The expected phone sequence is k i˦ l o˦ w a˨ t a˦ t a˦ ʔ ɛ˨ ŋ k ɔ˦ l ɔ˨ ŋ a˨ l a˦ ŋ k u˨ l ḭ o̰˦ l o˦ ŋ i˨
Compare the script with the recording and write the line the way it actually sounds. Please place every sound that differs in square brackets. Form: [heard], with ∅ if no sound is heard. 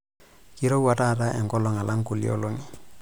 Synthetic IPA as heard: k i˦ [ɾ] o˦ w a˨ t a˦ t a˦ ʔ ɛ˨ ŋ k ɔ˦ l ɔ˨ ŋ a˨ l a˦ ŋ k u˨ l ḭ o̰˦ l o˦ ŋ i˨

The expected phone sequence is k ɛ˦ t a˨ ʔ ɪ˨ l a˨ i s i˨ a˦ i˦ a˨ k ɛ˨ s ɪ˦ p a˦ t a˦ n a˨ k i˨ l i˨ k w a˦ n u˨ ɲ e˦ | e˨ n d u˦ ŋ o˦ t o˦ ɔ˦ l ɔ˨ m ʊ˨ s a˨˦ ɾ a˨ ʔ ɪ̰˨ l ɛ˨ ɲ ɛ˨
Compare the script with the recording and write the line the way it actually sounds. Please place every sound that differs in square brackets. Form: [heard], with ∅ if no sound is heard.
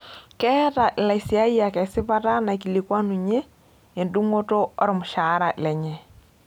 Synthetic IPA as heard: k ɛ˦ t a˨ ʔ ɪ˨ l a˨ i s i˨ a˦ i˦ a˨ k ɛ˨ s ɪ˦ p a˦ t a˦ n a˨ k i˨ l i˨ k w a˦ n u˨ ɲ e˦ | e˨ n d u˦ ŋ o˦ t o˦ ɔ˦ [ɾ] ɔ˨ m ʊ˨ [ʃ] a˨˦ ɾ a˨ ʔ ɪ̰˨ l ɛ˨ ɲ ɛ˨

